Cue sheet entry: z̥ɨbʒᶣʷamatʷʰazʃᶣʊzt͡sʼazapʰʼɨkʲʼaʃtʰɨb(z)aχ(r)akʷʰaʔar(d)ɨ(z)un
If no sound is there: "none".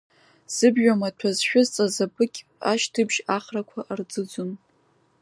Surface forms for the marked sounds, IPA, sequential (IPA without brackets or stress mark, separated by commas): ʒ, r, d͡z, d͡z